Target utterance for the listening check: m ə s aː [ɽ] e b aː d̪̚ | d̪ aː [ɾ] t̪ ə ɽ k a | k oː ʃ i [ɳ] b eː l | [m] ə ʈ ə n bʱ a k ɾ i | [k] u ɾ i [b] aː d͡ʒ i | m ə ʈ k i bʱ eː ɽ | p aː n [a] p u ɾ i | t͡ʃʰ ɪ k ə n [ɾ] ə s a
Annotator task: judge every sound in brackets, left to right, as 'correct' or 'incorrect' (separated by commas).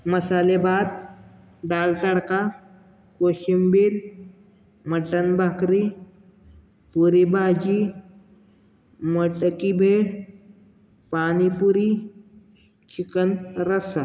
incorrect, incorrect, incorrect, correct, incorrect, correct, incorrect, correct